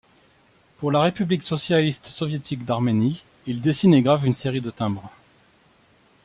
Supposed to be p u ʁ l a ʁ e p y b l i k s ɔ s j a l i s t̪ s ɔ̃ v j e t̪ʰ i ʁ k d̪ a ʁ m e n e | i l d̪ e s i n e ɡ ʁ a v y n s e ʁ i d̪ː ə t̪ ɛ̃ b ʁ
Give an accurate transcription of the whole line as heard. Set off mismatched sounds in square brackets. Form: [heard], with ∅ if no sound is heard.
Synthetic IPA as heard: p u ʁ l a ʁ e p y b l i k s ɔ s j a l i s t̪ s [ɔ] v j e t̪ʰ i [∅] k d̪ a ʁ m e n [i] | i l d̪ e s i n e ɡ ʁ a v y n s e ʁ i [d̪] ə t̪ ɛ̃ b ʁ